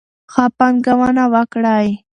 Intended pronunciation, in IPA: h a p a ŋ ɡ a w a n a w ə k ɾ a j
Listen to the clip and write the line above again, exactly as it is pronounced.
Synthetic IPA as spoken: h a p a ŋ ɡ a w a n a w a k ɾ a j

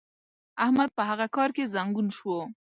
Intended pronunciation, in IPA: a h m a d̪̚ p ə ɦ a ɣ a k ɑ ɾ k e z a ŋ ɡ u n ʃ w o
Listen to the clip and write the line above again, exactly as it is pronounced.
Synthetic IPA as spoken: a h m a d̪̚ p ə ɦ a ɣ a k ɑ ɾ k e z a ŋ ɡ u n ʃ w o

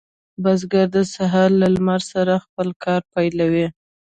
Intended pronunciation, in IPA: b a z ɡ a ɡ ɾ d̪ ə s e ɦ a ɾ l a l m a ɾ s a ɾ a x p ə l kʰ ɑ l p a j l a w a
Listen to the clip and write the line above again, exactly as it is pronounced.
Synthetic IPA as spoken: b a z ɡ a ɾ d̪ ə s a ɦ a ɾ l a l m a ɾ s a ɾ a x p ə l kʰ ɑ ɾ p a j l a w i

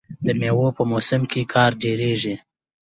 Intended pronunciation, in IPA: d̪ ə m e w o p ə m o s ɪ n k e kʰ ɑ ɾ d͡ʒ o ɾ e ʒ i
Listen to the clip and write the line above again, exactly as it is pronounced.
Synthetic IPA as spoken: d̪ ə m e w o p ə m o s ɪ m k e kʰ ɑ ɾ d͡ʒ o ɾ e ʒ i

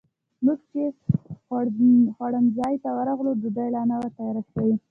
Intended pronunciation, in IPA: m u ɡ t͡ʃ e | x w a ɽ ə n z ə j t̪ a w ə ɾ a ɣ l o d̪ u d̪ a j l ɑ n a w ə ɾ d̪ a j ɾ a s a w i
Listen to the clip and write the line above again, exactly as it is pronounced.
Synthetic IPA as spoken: m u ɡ t͡ʃ e | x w a ɽ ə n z ɑ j t̪ a w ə ɾ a ɣ l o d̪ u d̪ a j l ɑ n a w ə ɾ t̪ a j ɾ a s a w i

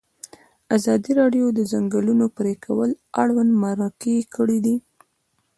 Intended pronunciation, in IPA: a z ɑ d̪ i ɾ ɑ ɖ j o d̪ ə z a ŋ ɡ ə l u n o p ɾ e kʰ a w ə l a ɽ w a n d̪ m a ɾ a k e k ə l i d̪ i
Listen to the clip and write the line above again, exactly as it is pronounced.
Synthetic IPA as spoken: a z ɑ d̪ i ɾ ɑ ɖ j o d̪ ə z a ŋ ɡ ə l u n o p ɾ e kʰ a w ə l a ɽ w a n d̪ m a ɾ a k e k ə ɽ i d̪ i

